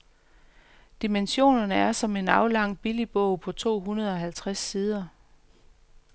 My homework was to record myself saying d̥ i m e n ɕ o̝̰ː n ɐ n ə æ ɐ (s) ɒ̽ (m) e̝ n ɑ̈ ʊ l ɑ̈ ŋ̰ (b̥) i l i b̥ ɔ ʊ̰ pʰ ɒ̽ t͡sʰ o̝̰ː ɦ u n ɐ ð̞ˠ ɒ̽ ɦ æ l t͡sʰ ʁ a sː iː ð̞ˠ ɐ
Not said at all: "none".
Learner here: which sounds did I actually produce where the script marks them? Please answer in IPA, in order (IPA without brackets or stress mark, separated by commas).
s, m, b̥